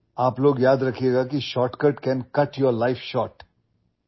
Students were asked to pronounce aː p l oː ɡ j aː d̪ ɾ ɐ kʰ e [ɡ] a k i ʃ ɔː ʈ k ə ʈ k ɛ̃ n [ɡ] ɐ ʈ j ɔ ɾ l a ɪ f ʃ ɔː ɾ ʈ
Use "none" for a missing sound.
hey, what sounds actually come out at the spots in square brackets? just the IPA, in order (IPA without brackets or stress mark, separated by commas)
ɡ, k